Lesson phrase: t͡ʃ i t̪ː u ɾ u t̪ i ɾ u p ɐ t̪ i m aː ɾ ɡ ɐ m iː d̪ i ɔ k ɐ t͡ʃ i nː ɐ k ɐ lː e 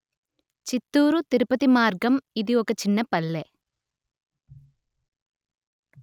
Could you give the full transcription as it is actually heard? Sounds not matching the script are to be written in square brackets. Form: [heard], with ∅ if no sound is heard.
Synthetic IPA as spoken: t͡ʃ i t̪ː [uː] ɾ u t̪ i ɾ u p ɐ t̪ i m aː ɾ ɡ ɐ m [i] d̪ i ɔ k ɐ t͡ʃ i nː ɐ [p] ɐ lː e